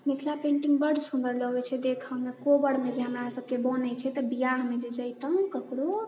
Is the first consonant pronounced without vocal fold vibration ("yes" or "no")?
no